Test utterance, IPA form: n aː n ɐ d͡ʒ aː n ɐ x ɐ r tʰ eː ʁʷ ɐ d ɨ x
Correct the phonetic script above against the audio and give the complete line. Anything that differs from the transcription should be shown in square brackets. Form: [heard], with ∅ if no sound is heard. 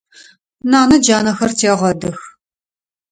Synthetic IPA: n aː n ɐ d͡ʒ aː n ɐ x ɐ r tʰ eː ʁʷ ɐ d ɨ x